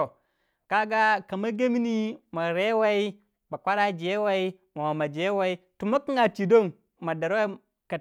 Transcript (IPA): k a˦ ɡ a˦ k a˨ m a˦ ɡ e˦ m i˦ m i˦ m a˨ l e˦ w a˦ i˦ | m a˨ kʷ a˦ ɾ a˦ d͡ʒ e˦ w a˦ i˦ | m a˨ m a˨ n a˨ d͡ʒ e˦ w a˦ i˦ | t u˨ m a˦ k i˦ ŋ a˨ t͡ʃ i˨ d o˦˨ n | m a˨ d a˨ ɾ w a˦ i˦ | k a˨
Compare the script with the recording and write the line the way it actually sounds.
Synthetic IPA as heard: k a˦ ɡ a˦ k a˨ m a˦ ɡ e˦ m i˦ n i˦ m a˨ ɾ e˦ w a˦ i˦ | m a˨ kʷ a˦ ɾ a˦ d͡ʒ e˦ w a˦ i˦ | m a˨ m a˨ m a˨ d͡ʒ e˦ w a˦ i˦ | t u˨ m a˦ k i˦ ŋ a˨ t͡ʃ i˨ d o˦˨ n | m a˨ d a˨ ɾ w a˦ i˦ | k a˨